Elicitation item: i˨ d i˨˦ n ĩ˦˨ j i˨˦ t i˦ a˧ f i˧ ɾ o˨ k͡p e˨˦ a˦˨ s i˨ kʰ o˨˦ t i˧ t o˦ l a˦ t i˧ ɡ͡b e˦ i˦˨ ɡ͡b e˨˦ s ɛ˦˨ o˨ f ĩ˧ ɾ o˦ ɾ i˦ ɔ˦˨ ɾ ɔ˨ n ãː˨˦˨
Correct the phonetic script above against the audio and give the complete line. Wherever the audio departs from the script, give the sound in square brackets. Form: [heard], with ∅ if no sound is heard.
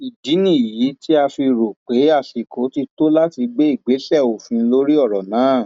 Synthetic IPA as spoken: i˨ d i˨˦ n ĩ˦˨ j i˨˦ t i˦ a˧ f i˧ ɾ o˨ k͡p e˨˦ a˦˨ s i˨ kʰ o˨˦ t i˧ t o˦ l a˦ t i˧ ɡ͡b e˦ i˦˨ ɡ͡b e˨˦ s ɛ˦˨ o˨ f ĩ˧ [l] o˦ ɾ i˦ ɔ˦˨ ɾ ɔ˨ n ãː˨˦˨